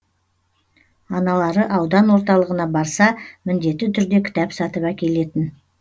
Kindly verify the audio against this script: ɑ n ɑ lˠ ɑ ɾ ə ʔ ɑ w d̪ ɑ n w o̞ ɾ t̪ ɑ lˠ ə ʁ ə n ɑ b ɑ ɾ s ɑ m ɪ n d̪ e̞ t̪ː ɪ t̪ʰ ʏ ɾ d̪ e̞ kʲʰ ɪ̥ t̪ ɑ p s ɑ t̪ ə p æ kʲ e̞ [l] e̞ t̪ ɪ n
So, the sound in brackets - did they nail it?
yes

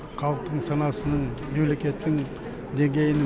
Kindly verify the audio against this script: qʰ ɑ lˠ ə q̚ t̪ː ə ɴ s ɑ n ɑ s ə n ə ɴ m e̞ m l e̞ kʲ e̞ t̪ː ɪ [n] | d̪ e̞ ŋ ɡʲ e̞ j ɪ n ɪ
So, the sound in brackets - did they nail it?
no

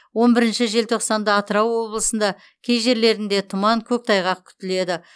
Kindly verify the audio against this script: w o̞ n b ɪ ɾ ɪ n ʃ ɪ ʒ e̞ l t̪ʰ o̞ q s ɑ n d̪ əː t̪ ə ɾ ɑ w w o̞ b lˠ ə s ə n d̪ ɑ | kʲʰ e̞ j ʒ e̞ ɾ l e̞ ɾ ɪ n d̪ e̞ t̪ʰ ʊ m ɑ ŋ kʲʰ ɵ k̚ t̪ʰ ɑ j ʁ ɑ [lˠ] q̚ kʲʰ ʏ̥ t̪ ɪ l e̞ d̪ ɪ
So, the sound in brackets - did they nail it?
no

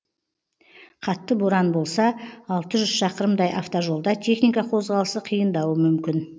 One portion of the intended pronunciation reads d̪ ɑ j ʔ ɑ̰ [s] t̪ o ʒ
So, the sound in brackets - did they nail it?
no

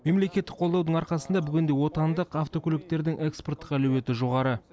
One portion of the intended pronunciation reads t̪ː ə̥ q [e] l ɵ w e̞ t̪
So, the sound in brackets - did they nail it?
no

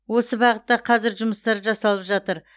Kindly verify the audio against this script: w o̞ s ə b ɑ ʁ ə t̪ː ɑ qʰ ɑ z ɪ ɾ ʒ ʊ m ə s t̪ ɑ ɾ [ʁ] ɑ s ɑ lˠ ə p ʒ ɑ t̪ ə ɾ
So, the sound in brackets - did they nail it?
no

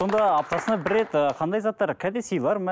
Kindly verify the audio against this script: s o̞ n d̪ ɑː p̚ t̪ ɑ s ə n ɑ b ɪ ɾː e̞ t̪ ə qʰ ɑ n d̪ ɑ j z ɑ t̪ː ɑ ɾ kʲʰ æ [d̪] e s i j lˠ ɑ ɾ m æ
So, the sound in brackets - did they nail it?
yes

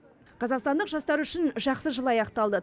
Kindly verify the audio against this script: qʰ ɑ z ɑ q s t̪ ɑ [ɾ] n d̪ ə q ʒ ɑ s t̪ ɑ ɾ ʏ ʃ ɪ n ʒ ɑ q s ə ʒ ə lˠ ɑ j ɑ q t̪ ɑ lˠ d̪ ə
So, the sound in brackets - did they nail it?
no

